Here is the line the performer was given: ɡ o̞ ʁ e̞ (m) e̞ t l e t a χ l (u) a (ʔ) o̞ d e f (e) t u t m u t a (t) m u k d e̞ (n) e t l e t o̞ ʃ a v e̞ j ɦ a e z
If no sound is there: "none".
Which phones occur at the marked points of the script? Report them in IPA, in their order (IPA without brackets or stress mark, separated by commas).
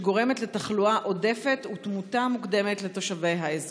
m, u, ʔ, e, none, m